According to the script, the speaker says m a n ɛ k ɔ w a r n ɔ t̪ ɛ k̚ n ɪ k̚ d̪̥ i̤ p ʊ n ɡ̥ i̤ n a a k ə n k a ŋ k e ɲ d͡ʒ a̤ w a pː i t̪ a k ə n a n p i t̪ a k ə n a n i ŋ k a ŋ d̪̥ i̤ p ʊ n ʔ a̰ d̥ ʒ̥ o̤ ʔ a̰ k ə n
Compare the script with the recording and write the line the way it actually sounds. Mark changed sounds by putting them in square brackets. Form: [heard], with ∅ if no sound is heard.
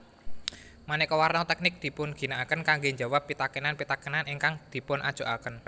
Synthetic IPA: m a n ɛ k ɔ w a r n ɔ t̪ ɛ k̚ n ɪ k̚ d̪̥ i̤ p ʊ n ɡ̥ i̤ n a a k ə n k a ŋ [ɡ] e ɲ d͡ʒ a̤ w a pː i t̪ a k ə n a n p i t̪ a k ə n a n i ŋ k a ŋ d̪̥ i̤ p ʊ n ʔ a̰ d̥ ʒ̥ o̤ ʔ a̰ k ə n